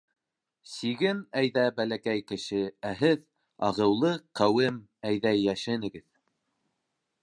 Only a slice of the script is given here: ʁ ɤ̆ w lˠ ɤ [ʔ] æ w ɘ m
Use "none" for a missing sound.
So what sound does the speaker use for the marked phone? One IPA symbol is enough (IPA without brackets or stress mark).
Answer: q